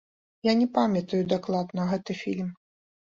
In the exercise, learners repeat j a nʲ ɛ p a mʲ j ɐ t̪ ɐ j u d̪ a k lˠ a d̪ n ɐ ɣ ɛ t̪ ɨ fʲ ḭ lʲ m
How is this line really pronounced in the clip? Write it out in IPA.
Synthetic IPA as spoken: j a nʲ ɛ p a mʲ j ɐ t̪ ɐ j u d̪ a k lˠ a d̪ n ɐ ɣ ɛ t̪ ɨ fʲ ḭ lʲ m